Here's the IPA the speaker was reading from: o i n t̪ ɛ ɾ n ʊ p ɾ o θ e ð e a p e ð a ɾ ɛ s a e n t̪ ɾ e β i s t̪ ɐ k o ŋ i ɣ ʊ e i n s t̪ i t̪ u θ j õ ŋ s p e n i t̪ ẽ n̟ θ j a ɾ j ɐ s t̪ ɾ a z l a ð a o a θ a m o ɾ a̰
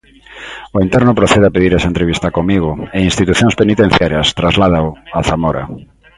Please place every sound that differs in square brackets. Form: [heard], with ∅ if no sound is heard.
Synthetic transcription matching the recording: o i n t̪ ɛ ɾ n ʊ p ɾ o θ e ð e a p e ð [i] ɾ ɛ s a e n t̪ ɾ e β i s t̪ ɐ k o [m] i ɣ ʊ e i n s t̪ i t̪ u θ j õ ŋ s p e n i t̪ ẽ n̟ θ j a ɾ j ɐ s t̪ ɾ a z l a ð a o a θ a m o ɾ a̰